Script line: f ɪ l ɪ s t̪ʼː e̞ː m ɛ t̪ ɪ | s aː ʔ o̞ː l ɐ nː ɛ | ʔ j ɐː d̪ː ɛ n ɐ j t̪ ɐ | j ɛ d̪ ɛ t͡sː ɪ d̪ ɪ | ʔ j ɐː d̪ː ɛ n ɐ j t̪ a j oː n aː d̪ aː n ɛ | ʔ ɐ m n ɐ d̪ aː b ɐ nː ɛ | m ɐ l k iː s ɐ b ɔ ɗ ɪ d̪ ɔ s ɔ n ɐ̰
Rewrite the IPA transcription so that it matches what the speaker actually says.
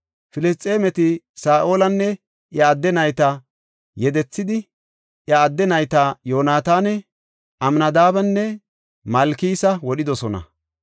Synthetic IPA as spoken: f ɪ l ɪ s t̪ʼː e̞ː m ɛ t̪ ɪ | s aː ʔ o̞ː l ɐ nː ɛ | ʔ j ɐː d̪ː ɛ n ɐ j t̪ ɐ | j ɛ d̪ ɛ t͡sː ɪ d̪ ɪ | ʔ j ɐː d̪ː ɛ n ɐ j t̪ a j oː n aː t̪ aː n ɛ | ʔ ɐ m n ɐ d̪ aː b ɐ nː ɛ | m ɐ l k iː s ɐ w ɔ ɗ ɪ d̪ ɔ s ɔ n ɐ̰